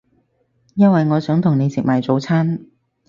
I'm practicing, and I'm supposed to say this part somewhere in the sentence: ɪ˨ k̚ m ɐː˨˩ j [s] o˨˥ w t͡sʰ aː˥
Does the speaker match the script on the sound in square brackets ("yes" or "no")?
no